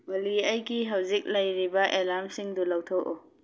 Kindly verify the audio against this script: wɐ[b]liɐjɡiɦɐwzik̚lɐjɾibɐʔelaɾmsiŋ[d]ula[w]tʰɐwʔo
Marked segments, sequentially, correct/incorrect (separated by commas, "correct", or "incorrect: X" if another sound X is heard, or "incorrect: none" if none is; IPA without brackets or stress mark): incorrect: none, correct, correct